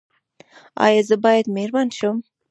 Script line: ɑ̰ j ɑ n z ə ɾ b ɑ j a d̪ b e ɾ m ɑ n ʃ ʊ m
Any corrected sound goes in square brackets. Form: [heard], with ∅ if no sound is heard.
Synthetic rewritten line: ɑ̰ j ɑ [∅] z ə [∅] b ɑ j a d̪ [m] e ɾ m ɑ n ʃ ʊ m

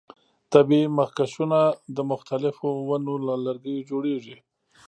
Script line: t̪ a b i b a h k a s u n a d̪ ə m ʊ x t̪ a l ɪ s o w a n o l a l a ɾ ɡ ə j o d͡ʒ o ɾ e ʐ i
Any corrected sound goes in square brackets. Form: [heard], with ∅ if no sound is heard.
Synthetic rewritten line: t̪ a b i [m] a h k a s u n a d̪ ə m ʊ x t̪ a l ɪ [f] o w a n o l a l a ɾ ɡ ə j o d͡ʒ o [ɽ] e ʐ i

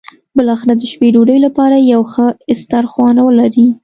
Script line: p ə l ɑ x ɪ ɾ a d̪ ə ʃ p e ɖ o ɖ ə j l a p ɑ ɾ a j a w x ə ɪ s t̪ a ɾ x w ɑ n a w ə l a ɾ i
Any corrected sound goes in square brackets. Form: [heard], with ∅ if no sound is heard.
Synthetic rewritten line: [b] ə l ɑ x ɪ ɾ a d̪ ə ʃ p e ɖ o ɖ ə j l a p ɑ ɾ a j a w x ə ɪ s t̪ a ɾ x w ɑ n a w ə l a ɾ i

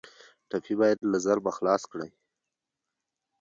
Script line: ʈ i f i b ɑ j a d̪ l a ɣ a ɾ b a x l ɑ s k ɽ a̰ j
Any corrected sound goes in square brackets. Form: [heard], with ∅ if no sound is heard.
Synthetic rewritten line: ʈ [a] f i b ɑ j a d̪ l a [z] a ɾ b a x l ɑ s k ɽ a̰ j

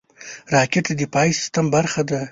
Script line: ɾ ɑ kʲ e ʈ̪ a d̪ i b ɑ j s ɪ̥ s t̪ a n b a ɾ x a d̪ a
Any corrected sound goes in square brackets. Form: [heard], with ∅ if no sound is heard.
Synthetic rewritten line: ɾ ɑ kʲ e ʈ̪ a d̪ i [p] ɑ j s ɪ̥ s t̪ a [m] b a ɾ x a d̪ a

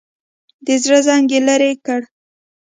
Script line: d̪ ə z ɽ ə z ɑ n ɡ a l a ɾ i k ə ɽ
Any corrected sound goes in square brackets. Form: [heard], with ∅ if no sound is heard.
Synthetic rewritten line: d̪ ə z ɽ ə z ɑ [ŋ] ɡ [e] l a ɾ [e] k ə ɽ

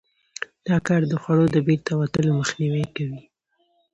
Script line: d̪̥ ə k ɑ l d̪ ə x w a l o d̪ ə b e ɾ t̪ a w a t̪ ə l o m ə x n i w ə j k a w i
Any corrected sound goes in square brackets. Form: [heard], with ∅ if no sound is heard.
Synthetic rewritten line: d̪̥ [ɑ] k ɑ [ɾ] d̪ ə x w a [ɽ] o d̪ ə b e ɾ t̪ a w a t̪ ə l o m ə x n i w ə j k a w i

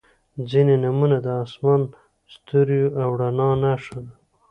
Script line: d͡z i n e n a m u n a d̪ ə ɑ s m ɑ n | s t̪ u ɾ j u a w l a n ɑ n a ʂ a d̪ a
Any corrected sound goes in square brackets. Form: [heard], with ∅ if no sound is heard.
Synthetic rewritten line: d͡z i n e n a m u n a d̪ ə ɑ s m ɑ n | s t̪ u ɾ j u a w [ɽ] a n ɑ n a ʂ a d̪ a

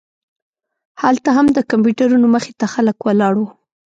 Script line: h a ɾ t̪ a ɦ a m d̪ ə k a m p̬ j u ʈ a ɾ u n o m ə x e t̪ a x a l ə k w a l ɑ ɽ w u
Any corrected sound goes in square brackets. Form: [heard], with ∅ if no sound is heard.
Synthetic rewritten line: h a [l] t̪ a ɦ a m d̪ ə k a m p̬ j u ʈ a ɾ u n o m ə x e t̪ a x a l ə k w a l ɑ ɽ w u

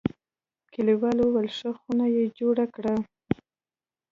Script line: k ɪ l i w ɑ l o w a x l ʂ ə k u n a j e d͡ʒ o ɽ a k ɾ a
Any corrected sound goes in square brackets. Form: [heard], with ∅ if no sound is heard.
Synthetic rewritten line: k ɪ l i w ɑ l o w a [∅] l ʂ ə [x] u n a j e d͡ʒ o ɽ a k [ɽ] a

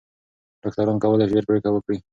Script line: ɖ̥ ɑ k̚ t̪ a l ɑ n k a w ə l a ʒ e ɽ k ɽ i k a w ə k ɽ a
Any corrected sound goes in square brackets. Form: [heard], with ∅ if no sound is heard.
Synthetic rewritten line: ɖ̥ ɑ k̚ t̪ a [ɾ] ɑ n k a w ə l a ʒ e [ɾ] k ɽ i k a w ə k ɽ [i]

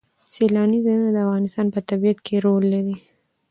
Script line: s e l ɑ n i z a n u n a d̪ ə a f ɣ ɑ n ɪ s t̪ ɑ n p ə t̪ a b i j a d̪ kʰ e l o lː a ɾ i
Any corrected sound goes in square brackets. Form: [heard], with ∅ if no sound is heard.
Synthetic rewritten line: s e l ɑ n i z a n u n a d̪ ə a f ɣ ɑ n ɪ s t̪ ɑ n p ə t̪ a b i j a [t̪] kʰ e [ɾ] o lː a ɾ i

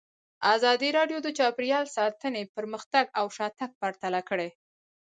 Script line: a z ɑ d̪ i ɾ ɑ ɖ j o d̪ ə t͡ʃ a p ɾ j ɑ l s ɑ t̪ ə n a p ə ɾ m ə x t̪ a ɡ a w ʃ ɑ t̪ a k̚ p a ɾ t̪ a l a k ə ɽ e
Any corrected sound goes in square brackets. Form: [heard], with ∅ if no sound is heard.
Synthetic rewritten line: a z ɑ d̪ i ɾ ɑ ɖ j o d̪ ə t͡ʃ [ɑ] p ɾ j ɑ l s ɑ t̪ ə n [e] p ə ɾ m ə x t̪ a ɡ a w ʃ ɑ t̪ a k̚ p a ɾ t̪ a l a k ə ɽ e

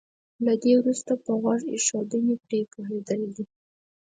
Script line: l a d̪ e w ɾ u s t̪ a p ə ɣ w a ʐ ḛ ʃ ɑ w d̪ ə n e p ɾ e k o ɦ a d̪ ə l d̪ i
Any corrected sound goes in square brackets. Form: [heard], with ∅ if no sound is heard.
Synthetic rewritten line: l a d̪ e w ɾ u s t̪ a p ə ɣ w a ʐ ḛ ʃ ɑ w d̪ ə n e p ɾ e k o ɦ [e] d̪ ə l d̪ i

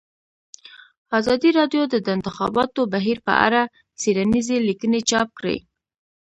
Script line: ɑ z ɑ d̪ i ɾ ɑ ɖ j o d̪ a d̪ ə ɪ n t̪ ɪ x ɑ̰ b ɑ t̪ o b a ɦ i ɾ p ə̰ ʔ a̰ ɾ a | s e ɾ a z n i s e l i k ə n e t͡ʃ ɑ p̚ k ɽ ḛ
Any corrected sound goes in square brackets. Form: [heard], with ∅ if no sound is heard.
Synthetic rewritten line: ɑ z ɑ d̪ i ɾ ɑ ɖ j o d̪ [ə] d̪ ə ɪ n t̪ ɪ x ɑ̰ b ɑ t̪ o b a ɦ i ɾ p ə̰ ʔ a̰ ɾ a | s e ɾ a [∅] n i [z] e l i k ə n e t͡ʃ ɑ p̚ k ɽ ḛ

